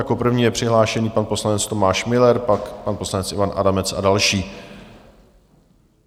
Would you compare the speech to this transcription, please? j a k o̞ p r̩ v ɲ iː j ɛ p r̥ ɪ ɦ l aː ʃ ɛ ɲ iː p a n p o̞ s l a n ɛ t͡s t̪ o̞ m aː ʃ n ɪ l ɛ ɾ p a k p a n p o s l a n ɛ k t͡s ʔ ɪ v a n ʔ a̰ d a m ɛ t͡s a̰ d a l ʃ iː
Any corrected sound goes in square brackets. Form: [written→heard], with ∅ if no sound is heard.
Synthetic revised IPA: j a k o̞ p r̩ v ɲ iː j ɛ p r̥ ɪ ɦ l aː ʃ ɛ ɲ iː p a n p o̞ s l a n ɛ t͡s t̪ o̞ m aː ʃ [n→m] ɪ l ɛ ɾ p a k p a n p o s l a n ɛ [k→∅] t͡s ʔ ɪ v a n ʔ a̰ d a m ɛ t͡s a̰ d a l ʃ iː